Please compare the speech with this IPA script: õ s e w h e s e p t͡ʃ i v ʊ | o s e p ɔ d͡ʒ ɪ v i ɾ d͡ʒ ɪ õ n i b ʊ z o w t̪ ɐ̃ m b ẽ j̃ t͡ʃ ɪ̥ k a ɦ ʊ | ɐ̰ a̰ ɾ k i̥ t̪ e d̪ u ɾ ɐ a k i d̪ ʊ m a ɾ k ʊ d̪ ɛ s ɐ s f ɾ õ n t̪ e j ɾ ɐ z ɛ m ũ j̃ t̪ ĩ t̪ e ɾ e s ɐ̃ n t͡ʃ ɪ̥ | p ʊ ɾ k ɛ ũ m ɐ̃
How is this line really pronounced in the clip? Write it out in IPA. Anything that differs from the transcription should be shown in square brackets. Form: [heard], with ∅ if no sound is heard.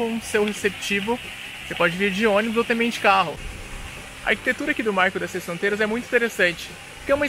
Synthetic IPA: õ s e w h e s e p t͡ʃ i v ʊ | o s e p ɔ d͡ʒ ɪ v i ɾ d͡ʒ ɪ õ n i b ʊ z o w t̪ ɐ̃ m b ẽ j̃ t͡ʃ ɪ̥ k a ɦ ʊ | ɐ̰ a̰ ɾ k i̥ t̪ e [t̪] u ɾ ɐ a k i d̪ ʊ m a ɾ k ʊ d̪ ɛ s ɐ s f ɾ õ n t̪ e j ɾ ɐ z ɛ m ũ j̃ t̪ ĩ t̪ e ɾ e s ɐ̃ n t͡ʃ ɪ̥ | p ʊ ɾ k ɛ ũ m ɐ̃